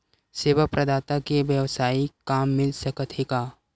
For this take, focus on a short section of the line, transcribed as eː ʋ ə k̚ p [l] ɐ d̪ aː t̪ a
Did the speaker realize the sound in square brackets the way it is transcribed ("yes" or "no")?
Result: no